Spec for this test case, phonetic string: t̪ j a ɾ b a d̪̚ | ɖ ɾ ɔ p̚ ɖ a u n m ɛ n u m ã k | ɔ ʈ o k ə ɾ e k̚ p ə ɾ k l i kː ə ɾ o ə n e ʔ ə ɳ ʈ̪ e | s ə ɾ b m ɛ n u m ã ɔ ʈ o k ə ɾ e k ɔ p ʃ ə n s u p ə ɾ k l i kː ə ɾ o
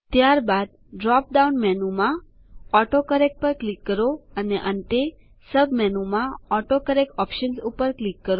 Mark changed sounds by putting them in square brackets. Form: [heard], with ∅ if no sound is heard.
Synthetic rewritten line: t̪ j a ɾ b a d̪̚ | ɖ ɾ ɔ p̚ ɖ a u n m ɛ n u m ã [∅] | ɔ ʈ o k ə ɾ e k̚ p ə ɾ k l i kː ə ɾ o ə n e ʔ ə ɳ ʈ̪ e | s ə [∅] b m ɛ n u m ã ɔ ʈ o k ə ɾ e k ɔ p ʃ ə n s u p ə ɾ k l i kː ə ɾ o